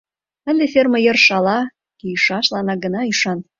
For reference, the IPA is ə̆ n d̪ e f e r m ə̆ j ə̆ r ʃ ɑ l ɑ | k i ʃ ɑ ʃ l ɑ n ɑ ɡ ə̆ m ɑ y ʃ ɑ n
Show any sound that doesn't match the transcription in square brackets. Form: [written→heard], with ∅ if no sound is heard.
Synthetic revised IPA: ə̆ n d̪ e f e r m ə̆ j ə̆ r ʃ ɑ l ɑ | k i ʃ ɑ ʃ l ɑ n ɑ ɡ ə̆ [m→n] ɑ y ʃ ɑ n